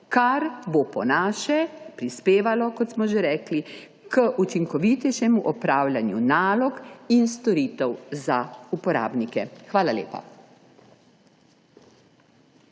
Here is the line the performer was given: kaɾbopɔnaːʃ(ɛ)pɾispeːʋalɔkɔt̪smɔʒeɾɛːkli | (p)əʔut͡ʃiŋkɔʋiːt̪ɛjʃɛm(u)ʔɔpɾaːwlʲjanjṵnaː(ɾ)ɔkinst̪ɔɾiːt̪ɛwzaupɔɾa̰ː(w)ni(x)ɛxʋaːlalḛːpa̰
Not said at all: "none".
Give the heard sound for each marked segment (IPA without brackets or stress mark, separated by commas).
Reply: ɛ, k, u, l, b, k